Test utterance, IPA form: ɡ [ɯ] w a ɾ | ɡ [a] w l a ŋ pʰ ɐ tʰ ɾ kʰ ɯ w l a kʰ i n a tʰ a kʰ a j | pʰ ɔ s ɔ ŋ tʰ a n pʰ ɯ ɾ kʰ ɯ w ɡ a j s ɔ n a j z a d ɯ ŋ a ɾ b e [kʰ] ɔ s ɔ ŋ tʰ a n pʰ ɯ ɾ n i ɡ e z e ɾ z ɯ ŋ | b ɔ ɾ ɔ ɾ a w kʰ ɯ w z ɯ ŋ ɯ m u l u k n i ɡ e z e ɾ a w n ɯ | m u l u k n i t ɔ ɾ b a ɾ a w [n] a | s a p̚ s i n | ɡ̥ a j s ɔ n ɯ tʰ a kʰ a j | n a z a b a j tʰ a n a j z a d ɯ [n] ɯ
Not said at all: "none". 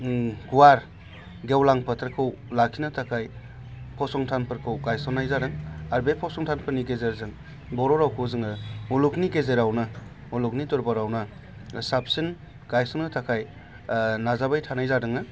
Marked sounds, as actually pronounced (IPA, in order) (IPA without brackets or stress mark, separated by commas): u, e, pʰ, n, ŋ